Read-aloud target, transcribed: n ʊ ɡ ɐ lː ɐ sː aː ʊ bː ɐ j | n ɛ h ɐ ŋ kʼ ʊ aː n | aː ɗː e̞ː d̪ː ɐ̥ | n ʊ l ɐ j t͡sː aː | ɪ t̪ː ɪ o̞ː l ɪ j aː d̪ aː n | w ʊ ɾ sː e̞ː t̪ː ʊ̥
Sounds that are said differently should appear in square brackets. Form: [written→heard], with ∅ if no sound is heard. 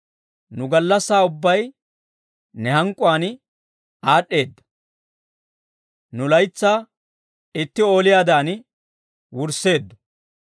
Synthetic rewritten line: n ʊ ɡ ɐ lː ɐ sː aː ʊ bː ɐ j | n ɛ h ɐ ŋ kʼ ʊ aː n | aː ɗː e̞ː d̪ː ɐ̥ | n ʊ l ɐ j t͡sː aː | ɪ t̪ː ɪ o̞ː l ɪ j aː d̪ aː n | w ʊ ɾ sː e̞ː [t̪ː→d̪ː] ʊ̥

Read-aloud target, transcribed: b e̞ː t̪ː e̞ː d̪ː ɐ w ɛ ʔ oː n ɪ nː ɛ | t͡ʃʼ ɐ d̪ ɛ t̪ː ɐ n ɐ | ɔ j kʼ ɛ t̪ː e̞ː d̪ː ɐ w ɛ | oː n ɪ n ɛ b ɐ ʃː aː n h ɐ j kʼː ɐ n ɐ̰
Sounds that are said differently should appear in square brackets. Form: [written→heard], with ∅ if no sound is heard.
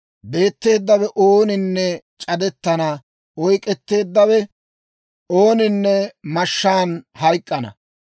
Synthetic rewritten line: b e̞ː t̪ː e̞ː d̪ː ɐ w ɛ ʔ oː n ɪ nː ɛ | t͡ʃʼ ɐ d̪ ɛ t̪ː ɐ n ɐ | ɔ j kʼ ɛ t̪ː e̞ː d̪ː ɐ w ɛ | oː n ɪ [n→nː] ɛ [b→m] ɐ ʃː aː n h ɐ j kʼː ɐ n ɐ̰

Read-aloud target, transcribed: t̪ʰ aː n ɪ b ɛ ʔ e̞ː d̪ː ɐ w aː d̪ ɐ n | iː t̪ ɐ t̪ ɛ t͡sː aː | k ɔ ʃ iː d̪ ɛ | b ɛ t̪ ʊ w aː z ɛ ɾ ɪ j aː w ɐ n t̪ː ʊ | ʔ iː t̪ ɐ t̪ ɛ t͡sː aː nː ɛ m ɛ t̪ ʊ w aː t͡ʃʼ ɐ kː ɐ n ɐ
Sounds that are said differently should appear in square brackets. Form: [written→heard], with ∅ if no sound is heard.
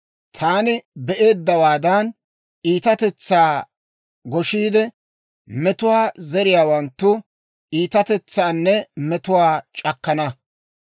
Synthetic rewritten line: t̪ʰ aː n ɪ b ɛ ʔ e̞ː d̪ː ɐ w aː d̪ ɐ n | iː t̪ ɐ t̪ ɛ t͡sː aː | [k→ɡ] ɔ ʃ iː d̪ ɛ | [b→m] ɛ t̪ ʊ w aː z ɛ ɾ ɪ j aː w ɐ n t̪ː ʊ | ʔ iː t̪ ɐ t̪ ɛ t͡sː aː nː ɛ m ɛ t̪ ʊ w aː t͡ʃʼ ɐ kː ɐ n ɐ

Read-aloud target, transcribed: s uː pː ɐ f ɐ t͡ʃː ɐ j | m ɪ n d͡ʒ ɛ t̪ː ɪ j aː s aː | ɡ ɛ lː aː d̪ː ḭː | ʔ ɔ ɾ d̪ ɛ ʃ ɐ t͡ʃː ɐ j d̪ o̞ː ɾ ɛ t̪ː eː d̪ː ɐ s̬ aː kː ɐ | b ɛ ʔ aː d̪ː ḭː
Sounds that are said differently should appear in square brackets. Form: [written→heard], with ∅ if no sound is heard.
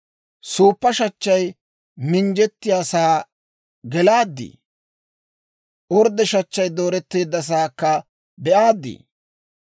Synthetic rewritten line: s uː pː ɐ [f→ʃ] ɐ t͡ʃː ɐ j | m ɪ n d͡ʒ ɛ t̪ː ɪ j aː s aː | ɡ ɛ [lː→l] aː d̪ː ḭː | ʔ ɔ ɾ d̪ ɛ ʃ ɐ t͡ʃː ɐ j d̪ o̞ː ɾ ɛ t̪ː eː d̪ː ɐ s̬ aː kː ɐ | b ɛ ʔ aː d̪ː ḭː

